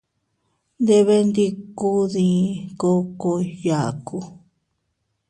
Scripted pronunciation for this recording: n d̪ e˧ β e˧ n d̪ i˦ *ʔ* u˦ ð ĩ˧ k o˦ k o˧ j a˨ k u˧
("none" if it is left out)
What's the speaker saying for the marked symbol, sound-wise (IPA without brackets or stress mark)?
k